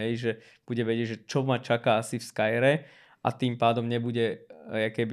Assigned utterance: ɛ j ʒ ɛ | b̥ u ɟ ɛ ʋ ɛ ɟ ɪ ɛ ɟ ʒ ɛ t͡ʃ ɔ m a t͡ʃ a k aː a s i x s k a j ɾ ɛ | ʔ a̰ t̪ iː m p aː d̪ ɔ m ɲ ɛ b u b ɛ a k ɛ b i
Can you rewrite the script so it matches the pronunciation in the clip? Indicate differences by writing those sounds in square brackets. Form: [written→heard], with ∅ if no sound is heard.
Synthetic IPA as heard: ɛ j ʒ ɛ | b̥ u ɟ ɛ ʋ ɛ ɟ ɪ ɛ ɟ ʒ ɛ t͡ʃ ɔ m a t͡ʃ a k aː a s i [x→f] s k a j ɾ ɛ | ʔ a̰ t̪ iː m p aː d̪ ɔ m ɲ ɛ b u [b→ɟ] ɛ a k ɛ b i